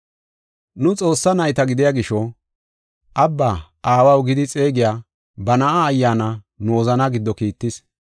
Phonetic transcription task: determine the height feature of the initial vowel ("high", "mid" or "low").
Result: high